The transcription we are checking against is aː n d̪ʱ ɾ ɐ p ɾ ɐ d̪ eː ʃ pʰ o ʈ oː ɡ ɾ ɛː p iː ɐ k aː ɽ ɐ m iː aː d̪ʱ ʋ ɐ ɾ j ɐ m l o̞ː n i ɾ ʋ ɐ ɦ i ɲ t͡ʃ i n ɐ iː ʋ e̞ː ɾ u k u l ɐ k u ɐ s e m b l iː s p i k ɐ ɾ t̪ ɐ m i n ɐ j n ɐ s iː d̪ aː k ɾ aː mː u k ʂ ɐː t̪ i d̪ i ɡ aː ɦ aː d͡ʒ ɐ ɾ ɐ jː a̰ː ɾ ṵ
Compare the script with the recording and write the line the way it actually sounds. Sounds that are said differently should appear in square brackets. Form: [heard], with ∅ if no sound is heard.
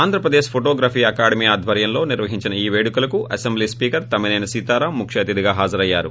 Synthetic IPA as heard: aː n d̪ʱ ɾ ɐ p ɾ ɐ d̪ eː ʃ pʰ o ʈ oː ɡ ɾ [aː] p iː ɐ k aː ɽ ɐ m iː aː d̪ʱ ʋ ɐ ɾ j ɐ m l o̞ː n i ɾ ʋ ɐ ɦ i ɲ t͡ʃ i n ɐ iː ʋ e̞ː [ɽ] u k u l ɐ k u ɐ s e m b l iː s p [iː] k ɐ ɾ t̪ ɐ m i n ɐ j n ɐ s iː [t̪] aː [∅] ɾ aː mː u k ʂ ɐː t̪ i d̪ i ɡ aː ɦ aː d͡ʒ ɐ ɾ ɐ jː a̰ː ɾ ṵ